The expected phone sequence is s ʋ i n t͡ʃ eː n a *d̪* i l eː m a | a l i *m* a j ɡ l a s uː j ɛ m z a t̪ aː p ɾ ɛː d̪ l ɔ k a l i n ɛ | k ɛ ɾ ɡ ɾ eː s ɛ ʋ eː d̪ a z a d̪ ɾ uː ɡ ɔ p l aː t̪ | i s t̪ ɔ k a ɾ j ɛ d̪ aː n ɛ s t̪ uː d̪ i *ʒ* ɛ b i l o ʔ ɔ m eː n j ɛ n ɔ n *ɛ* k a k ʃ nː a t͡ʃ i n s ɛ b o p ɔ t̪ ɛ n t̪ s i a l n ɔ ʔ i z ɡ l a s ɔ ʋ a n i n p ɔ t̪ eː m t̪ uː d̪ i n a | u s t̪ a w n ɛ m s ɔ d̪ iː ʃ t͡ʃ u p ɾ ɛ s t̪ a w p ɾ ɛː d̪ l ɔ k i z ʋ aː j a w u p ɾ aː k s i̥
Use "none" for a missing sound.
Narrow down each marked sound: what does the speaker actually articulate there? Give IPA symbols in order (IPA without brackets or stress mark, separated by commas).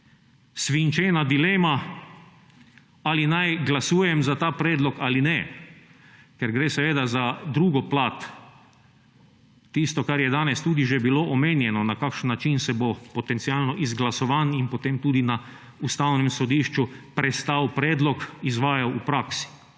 d̪, n, ʒ, a